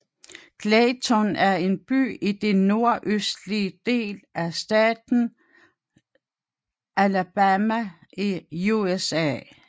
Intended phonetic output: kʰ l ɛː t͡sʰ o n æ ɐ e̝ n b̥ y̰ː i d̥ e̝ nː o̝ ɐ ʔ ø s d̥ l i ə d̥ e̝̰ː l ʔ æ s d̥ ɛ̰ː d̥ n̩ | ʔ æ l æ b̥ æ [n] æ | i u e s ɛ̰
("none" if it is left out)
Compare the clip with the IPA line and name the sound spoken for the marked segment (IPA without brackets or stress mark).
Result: m